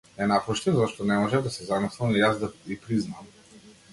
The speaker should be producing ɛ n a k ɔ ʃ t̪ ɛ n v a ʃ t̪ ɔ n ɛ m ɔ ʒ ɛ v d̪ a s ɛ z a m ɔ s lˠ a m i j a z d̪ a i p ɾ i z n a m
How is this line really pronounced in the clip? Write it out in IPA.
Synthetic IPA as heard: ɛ n a p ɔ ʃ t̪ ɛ n z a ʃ t̪ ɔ n ɛ m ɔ ʒ ɛ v d̪ a s ɛ z a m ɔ s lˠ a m i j a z d̪ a i p ɾ i z n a m

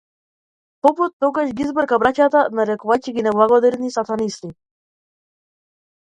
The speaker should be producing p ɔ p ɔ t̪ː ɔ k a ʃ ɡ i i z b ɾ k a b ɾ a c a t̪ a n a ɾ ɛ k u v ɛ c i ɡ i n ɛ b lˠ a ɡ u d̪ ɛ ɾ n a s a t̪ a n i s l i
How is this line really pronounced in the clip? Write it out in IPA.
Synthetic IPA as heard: p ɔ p u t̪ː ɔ ɡ a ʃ ɡ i i z b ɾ k a b ɾ a c a t̪ a n a ɾ ɛ k u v a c i ɡ i n ɛ b lˠ a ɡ ɔ d̪ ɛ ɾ n i s a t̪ a n i s l i

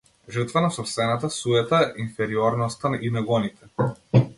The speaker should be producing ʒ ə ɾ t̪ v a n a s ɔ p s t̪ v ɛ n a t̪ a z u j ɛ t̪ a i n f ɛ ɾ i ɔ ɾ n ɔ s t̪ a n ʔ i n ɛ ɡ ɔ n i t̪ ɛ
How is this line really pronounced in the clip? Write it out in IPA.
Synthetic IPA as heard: ʒ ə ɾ t̪ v a n a s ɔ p s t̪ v ɛ n a t̪ a s u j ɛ t̪ a i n f ɛ ɾ i ɔ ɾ n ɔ s t̪ a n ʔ i n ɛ ɡ ɔ n i t̪ ɛ

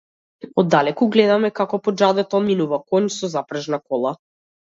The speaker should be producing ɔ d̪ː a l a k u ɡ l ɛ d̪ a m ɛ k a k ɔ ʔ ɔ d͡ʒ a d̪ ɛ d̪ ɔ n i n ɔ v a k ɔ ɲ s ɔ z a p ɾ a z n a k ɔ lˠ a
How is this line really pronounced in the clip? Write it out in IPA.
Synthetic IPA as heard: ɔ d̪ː a l ɛ k u ɡ l ɛ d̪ a m ɛ k a k ɔ p ɔ d͡ʒ a d̪ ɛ t̪ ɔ m i n u v a k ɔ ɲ s ɔ z a p ɾ a ʒ n a k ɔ lˠ a

